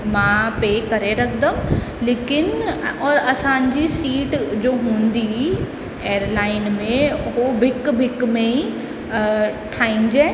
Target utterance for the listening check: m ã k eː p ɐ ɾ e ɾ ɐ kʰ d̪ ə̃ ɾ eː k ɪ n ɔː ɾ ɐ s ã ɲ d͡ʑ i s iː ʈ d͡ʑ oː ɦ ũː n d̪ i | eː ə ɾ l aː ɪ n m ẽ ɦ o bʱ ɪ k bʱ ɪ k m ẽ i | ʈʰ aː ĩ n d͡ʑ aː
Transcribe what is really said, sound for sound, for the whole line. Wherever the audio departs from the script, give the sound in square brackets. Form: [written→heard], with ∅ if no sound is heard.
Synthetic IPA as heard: m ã [k→p] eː [p→k] ɐ ɾ e ɾ ɐ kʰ d̪ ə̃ [ɾ→l] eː k ɪ n ɔː ɾ ɐ s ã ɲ d͡ʑ i s iː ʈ d͡ʑ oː ɦ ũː n d̪ i | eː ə ɾ l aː ɪ n m ẽ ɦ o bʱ ɪ k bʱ ɪ k m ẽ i | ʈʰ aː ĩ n d͡ʑ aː